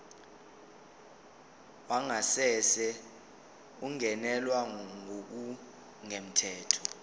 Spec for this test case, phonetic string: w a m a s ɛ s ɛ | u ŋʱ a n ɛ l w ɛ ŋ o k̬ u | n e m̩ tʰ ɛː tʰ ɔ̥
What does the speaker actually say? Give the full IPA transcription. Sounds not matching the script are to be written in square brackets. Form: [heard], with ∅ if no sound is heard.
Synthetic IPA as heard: w a [ŋ] a s ɛ s ɛ | u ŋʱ [ɛ] n ɛ l w [a] ŋ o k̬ u | [ŋ] e m̩ tʰ ɛː tʰ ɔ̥

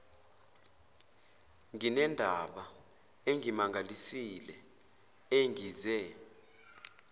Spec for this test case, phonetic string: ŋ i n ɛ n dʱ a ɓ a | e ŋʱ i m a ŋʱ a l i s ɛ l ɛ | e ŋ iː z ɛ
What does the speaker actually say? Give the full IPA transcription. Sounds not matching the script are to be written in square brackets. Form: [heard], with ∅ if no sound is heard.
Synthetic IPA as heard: ŋ i n ɛ n dʱ a ɓ a | e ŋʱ i m a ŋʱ a l i s [i] l ɛ | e ŋ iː z ɛ

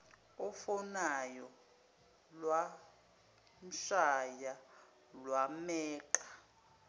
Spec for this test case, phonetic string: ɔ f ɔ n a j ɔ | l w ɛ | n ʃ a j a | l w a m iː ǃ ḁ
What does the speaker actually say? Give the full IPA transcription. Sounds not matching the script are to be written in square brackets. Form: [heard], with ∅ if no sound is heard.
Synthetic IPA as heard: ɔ f ɔ n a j ɔ | l w [a] | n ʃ a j a | l w a m [ɛː] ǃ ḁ

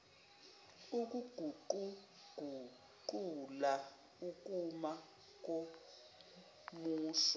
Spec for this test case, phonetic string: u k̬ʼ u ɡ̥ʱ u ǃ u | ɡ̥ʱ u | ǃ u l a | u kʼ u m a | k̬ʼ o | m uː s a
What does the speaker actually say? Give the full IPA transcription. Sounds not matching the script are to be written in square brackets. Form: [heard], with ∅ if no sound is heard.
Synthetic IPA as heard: u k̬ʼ u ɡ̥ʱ u ǃ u | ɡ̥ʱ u | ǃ u l a | u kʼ u m a | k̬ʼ o | m uː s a

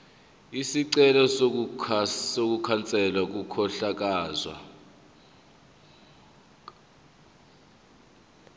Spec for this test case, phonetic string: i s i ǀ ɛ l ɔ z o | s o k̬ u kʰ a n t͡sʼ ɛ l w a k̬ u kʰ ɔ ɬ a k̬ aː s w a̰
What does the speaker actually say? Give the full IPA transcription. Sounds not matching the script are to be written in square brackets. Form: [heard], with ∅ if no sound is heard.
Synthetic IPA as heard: i s i ǀ ɛ l ɔ [s] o | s o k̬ u kʰ a n t͡sʼ ɛ l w a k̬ u kʰ ɔ ɬ a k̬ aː [z] w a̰

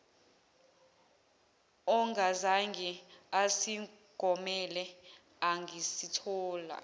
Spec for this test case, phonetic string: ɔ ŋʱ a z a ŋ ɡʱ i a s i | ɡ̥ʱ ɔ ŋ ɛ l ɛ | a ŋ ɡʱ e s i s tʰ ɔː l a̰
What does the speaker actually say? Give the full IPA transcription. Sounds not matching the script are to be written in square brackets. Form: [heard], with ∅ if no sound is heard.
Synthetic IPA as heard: ɔ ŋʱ a z a ŋ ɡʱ i a s i | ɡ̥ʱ ɔ [m] ɛ l ɛ | a ŋ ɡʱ [i] s i [∅] tʰ ɔː l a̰

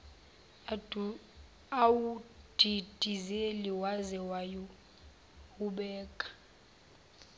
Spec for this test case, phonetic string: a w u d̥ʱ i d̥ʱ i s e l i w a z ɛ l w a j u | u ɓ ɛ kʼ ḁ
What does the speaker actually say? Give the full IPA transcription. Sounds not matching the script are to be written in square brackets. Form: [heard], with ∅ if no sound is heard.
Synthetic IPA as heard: a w u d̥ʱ i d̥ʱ i [z] e l i w a z ɛ [∅] w a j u | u ɓ [ɛː] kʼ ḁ

